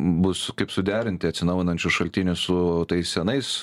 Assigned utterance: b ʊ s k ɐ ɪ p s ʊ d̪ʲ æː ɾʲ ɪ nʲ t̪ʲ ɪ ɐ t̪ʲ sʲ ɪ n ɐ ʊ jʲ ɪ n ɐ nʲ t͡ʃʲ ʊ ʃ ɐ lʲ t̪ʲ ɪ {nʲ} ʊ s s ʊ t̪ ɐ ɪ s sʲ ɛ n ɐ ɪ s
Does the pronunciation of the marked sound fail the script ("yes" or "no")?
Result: no